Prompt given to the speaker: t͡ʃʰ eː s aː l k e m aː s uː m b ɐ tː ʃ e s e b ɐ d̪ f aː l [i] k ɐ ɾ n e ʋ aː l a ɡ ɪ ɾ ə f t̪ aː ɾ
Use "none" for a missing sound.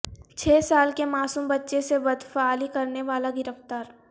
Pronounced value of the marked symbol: i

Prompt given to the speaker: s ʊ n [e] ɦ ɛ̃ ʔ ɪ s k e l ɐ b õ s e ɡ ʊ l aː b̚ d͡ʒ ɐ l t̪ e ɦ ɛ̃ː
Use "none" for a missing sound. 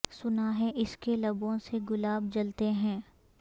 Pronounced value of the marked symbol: a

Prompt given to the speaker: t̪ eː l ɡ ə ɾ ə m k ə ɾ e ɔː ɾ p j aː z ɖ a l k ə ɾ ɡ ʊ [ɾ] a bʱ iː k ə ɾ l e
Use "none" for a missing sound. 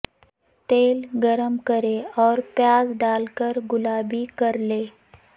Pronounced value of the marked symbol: l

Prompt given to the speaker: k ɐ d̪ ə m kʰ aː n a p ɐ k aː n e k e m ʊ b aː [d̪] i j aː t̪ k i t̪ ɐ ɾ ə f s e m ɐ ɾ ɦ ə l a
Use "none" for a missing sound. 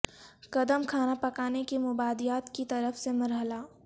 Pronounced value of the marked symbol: d̪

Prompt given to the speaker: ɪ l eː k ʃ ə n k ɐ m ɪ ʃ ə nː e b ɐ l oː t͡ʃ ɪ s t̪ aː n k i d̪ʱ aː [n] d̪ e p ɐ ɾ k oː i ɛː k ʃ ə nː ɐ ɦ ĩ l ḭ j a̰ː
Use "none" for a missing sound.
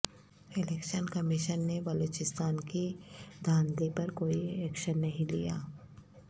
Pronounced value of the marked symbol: n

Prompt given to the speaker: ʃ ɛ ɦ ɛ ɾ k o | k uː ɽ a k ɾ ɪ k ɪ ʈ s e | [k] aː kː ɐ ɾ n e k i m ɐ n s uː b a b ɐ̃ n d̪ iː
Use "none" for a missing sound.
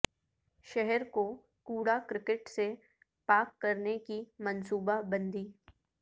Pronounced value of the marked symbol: p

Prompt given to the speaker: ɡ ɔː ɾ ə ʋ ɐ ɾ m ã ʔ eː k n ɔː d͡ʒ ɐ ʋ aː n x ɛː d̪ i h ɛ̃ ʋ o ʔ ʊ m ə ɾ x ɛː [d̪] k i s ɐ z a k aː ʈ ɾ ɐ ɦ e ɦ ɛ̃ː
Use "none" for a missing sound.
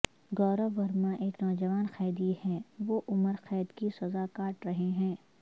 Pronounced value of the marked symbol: d̪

